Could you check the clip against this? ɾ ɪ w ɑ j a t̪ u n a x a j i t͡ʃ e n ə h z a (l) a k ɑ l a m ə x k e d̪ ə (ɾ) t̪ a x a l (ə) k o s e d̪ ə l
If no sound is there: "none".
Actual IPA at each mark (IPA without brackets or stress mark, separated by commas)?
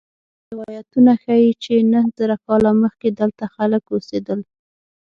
ɾ, l, ə